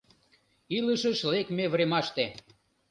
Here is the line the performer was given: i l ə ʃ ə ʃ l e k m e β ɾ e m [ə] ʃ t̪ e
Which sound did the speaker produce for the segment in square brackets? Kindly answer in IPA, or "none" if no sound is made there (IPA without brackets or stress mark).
ɑ